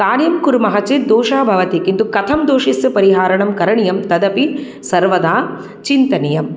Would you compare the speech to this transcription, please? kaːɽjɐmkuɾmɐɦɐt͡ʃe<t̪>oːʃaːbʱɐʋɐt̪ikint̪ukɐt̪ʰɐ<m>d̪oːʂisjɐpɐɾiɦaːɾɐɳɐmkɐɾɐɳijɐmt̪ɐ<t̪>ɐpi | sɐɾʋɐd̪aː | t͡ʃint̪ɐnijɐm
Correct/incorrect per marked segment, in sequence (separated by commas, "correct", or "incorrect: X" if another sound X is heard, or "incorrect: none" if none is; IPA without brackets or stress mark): incorrect: d̪, correct, incorrect: d̪